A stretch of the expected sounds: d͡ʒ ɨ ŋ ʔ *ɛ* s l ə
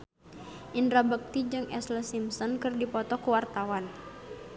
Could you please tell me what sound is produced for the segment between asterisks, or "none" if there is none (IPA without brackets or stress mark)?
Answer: ɛ